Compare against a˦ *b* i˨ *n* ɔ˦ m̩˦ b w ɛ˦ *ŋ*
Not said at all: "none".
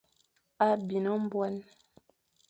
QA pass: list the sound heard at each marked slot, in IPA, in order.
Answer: b, n, n

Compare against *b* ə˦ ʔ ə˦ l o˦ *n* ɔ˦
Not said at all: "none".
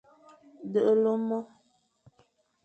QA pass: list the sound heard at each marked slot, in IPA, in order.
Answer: d, m

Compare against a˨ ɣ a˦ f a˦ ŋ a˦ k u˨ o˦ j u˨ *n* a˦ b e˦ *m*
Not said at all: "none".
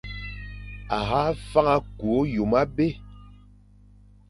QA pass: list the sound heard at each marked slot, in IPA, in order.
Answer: m, none

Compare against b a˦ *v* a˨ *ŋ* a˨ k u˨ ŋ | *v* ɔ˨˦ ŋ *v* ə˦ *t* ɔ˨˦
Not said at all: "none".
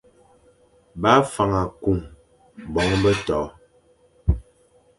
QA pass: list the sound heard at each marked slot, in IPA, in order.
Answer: f, ŋ, b, b, t

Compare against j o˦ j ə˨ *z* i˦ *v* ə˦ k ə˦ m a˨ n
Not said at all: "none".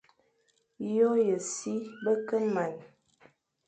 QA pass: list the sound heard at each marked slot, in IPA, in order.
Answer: s, b

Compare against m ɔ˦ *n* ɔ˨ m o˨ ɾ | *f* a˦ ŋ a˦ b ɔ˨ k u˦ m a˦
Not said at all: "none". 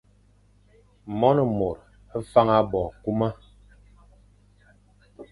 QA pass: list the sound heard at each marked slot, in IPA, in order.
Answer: n, f

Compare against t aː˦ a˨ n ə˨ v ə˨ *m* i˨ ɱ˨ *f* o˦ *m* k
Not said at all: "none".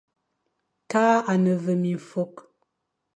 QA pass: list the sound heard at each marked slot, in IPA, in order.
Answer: m, f, none

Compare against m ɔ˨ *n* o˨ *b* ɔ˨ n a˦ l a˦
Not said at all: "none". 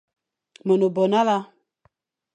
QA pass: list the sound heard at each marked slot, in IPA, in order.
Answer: n, b

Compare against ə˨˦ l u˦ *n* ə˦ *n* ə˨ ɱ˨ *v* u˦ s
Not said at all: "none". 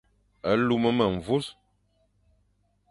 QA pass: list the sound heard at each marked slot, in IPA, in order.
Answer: m, m, v

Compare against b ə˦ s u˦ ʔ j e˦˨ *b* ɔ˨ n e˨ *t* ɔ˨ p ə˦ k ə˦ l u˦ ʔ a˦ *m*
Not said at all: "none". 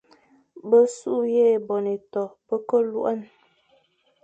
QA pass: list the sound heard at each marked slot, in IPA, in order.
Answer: b, t, n

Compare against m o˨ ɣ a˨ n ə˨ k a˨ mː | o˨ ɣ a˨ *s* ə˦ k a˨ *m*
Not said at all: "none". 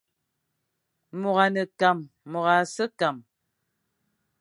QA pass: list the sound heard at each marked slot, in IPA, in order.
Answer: s, m

